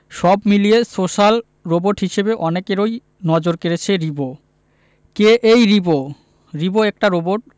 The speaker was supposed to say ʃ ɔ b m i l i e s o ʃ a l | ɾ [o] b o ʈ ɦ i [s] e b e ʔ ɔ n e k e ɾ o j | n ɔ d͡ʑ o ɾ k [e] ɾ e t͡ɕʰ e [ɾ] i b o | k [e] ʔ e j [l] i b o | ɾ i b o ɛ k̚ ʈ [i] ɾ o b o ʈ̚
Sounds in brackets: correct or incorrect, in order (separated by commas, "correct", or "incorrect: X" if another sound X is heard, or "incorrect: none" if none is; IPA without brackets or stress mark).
correct, incorrect: ʃ, correct, correct, correct, incorrect: ɾ, incorrect: a